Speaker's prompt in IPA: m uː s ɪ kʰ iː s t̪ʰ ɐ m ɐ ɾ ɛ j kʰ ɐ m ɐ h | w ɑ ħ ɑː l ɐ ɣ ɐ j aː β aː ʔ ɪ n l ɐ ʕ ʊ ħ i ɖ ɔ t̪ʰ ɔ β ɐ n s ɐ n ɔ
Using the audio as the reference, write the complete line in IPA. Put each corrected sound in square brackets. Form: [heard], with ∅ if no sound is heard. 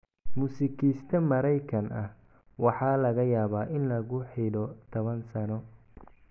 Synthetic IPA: m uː s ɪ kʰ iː s t̪ʰ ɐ m ɐ ɾ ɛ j kʰ ɐ [n] ɐ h | w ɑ ħ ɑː l ɐ ɣ ɐ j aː β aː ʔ ɪ n l ɐ [ɣ] ʊ ħ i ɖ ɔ t̪ʰ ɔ β ɐ n s ɐ n ɔ